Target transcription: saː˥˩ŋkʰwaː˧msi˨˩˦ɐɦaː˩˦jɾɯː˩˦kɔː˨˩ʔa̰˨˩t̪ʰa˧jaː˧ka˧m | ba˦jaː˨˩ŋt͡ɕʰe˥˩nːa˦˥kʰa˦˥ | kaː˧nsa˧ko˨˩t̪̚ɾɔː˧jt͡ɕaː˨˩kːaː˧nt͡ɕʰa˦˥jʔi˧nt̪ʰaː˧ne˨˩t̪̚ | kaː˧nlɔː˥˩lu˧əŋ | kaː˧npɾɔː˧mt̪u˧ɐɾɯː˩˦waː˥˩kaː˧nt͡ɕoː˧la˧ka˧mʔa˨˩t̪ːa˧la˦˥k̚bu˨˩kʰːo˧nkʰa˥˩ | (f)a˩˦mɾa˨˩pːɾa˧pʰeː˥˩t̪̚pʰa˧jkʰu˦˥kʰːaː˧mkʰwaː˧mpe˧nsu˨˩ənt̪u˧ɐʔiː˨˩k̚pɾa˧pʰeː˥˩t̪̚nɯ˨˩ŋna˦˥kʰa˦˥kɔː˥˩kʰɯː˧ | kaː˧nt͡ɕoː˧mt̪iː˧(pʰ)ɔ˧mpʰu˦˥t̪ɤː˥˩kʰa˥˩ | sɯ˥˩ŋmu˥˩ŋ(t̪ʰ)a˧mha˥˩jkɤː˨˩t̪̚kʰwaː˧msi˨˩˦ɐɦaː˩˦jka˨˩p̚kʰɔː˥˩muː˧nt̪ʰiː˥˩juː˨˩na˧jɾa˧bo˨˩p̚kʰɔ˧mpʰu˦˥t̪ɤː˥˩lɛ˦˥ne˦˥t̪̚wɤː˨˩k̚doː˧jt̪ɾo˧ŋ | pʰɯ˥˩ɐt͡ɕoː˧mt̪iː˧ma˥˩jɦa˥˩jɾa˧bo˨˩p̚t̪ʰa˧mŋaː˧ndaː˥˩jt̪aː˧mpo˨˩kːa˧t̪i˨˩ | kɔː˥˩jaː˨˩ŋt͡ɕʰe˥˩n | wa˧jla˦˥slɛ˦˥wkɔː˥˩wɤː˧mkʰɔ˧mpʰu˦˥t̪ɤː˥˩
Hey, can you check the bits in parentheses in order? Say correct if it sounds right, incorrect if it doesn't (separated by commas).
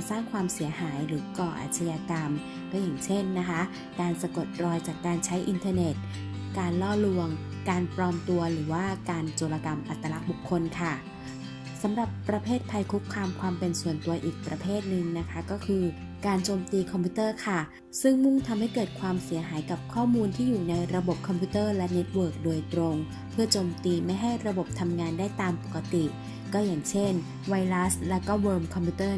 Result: incorrect, incorrect, correct